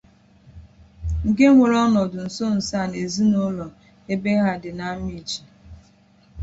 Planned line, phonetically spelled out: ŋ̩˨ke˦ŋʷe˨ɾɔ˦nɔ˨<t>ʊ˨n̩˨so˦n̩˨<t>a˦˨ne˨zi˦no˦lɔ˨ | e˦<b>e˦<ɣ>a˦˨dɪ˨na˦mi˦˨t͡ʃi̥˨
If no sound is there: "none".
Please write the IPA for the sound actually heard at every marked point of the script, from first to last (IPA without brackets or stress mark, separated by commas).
d, s, b, ɣ